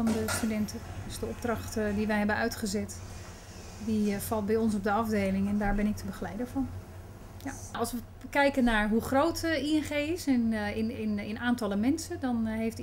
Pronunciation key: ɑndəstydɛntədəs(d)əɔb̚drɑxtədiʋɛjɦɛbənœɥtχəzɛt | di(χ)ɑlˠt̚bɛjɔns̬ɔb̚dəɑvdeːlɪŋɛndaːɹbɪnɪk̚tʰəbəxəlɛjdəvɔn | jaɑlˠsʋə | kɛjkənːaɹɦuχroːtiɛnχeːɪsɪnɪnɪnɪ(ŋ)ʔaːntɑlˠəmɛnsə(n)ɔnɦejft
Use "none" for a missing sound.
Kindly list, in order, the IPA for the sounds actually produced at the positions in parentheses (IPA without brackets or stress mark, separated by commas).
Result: d, f, n, d